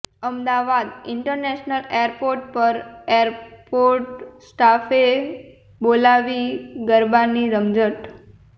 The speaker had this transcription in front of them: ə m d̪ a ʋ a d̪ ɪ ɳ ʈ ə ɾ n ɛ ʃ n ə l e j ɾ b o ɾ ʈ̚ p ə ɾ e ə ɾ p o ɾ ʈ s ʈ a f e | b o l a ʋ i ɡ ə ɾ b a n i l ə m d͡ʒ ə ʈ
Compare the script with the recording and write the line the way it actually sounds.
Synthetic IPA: ə m d̪ a ʋ a d̪ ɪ ɳ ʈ ə ɾ n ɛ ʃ n ə l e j ɾ p o ɾ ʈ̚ p ə ɾ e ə ɾ p o ɾ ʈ s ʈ a f e | b o l a ʋ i ɡ ə ɾ b a n i ɾ ə m d͡ʒ ə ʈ